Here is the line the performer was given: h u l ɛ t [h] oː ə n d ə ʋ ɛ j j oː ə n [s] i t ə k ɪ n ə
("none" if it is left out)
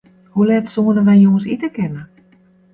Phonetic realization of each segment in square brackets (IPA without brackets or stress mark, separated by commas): s, s